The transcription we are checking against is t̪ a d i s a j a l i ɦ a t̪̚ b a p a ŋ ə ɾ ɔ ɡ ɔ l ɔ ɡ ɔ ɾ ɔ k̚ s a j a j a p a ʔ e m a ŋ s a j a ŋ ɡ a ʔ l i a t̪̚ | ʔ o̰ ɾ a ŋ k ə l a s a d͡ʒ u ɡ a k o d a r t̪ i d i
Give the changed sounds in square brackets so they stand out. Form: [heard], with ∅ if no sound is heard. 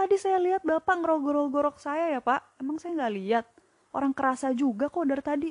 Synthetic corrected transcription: t̪ a d i s a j a l i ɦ a t̪̚ b a p a ŋ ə ɾ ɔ ɡ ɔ [ɾ] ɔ ɡ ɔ ɾ ɔ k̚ s a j a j a p a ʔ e m a ŋ s a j a ŋ ɡ a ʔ l i a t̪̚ | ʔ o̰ ɾ a ŋ k ə [ɾ] a s a d͡ʒ u ɡ a k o d a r t̪ [a] d i